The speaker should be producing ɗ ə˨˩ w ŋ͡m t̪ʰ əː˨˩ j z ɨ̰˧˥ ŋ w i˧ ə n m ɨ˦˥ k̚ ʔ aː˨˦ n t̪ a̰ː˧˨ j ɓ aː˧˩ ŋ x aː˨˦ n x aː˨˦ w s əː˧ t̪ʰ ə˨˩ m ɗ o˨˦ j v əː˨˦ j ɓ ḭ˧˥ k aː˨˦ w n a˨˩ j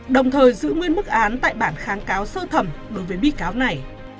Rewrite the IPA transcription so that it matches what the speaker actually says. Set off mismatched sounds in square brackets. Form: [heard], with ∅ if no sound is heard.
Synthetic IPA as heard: ɗ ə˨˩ w ŋ͡m t̪ʰ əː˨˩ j z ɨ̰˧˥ ŋ w i˧ ə n m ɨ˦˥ k̚ ʔ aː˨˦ n t̪ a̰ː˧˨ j ɓ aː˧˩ [n] x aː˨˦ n [k] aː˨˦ w s əː˧ t̪ʰ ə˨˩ m ɗ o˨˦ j v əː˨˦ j ɓ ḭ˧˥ k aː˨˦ w n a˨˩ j